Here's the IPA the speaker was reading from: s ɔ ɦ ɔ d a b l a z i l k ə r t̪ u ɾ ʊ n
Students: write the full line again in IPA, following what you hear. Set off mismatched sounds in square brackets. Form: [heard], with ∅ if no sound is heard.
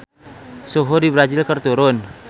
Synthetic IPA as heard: s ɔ ɦ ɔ d [i] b [ɾ] a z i l k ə r t̪ u ɾ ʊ n